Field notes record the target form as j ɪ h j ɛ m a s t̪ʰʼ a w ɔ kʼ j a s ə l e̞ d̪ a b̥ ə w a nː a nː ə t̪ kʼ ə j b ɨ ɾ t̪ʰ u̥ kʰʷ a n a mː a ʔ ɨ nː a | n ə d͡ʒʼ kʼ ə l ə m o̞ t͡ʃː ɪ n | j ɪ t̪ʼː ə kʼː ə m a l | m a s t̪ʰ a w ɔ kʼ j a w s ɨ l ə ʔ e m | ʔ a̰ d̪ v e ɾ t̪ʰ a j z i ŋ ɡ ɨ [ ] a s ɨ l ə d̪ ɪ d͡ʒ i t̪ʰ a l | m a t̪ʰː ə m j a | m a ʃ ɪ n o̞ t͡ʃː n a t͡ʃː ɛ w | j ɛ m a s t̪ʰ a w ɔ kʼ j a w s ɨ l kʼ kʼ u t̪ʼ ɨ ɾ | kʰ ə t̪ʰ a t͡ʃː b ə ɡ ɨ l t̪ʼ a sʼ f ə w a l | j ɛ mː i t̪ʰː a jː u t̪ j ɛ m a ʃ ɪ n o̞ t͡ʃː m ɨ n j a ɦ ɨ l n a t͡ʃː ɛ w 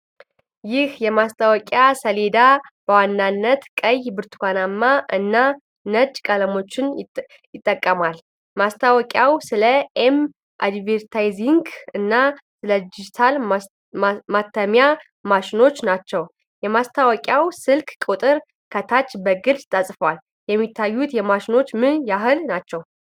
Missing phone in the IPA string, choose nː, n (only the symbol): nː